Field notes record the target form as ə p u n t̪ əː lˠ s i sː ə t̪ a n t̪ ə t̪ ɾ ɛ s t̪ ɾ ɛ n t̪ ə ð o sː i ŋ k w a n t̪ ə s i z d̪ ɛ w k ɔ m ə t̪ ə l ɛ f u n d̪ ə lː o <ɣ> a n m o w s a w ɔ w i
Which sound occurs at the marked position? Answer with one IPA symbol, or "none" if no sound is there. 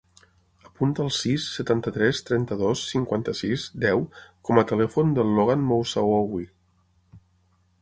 ɣ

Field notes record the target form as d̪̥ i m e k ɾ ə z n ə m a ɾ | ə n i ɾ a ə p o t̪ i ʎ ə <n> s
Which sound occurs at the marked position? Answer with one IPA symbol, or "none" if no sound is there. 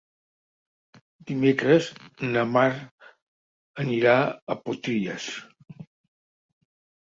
none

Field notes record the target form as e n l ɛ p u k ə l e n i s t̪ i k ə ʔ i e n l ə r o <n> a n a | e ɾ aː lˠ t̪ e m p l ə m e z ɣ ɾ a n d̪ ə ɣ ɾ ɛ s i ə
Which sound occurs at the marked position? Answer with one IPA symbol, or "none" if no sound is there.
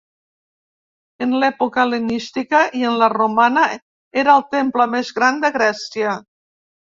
m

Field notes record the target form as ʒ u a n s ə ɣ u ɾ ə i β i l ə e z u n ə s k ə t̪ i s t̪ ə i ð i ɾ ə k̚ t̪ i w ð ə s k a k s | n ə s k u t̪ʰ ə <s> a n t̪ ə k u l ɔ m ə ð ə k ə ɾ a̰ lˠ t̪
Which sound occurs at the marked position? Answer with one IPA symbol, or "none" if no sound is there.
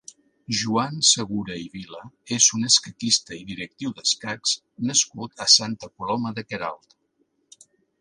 s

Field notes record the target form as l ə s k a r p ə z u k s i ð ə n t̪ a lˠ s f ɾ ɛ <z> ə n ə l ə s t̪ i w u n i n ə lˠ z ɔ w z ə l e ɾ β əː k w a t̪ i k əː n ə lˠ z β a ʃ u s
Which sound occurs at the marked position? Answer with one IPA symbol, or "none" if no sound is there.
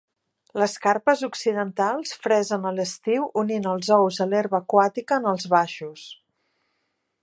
z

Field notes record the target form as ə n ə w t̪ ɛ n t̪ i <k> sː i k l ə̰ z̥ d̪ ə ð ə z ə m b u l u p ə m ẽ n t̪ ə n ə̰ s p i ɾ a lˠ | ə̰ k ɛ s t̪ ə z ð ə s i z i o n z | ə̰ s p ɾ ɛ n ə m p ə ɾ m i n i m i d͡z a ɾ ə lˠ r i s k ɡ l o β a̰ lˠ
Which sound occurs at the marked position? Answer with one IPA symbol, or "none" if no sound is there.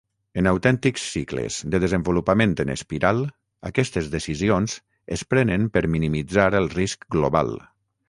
k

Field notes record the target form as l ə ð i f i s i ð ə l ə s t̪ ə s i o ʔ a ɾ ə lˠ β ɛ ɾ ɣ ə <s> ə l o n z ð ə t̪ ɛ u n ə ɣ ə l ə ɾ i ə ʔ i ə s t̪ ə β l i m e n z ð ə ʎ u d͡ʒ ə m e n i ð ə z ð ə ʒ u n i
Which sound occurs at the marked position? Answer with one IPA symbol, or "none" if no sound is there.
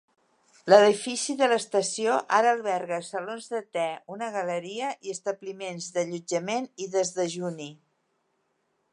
s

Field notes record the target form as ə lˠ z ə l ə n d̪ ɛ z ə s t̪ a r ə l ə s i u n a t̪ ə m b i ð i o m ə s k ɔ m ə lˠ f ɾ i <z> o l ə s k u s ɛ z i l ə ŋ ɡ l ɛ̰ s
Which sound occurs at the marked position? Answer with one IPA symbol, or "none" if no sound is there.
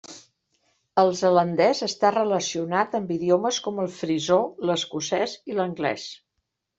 z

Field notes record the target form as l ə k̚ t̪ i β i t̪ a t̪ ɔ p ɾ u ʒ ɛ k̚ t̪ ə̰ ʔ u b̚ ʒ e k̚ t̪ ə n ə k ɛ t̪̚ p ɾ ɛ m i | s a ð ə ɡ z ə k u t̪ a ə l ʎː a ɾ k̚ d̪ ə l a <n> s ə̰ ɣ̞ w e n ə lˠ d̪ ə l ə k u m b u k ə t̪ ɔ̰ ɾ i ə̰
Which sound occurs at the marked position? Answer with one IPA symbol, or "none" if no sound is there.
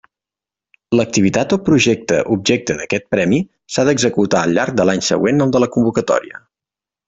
ɲ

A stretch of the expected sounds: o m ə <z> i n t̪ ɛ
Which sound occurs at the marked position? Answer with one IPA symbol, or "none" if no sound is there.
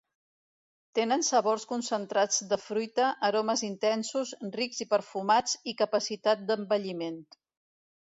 z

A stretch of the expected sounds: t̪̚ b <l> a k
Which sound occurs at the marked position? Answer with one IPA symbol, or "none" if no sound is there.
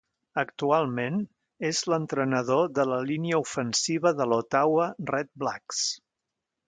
l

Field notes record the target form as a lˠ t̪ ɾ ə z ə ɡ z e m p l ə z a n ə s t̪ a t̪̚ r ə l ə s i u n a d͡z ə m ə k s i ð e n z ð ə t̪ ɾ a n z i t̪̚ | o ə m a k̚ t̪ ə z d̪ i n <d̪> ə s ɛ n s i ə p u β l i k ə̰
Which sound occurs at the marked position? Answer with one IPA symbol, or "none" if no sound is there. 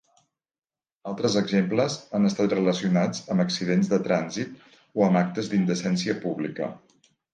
d̪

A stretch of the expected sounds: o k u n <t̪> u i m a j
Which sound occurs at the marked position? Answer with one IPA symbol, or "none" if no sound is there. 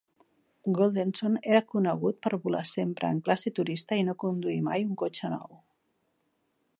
d̪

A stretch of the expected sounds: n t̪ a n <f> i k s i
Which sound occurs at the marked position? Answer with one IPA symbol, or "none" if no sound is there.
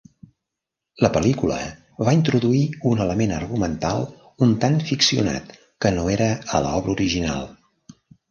f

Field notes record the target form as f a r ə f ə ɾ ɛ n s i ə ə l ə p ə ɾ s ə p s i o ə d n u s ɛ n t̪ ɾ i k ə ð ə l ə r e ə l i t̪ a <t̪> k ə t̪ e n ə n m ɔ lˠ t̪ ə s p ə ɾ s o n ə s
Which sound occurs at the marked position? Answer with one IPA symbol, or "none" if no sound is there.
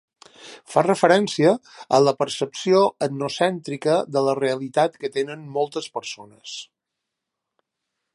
t̪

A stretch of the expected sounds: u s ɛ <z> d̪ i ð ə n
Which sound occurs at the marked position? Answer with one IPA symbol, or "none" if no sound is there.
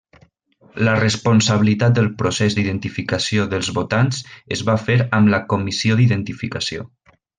z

